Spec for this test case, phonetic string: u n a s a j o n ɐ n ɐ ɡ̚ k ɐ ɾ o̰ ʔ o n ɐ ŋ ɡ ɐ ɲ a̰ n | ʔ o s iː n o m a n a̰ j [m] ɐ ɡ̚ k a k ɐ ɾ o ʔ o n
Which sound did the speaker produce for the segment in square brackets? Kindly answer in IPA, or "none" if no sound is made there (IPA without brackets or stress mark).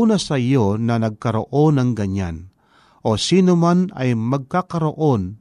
m